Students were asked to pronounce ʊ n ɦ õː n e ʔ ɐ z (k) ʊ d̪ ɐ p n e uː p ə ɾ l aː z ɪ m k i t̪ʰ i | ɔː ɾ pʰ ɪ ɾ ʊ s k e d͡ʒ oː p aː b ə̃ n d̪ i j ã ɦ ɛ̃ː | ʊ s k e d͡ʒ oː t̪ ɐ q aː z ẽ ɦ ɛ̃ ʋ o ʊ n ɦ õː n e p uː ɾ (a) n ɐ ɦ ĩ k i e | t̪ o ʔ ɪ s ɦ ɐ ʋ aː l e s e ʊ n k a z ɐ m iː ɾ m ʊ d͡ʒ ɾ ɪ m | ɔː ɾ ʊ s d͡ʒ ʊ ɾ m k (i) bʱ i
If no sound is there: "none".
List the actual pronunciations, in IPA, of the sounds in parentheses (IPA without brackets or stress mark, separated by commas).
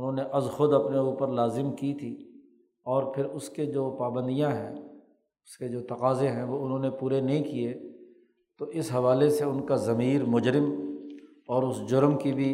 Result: x, e, i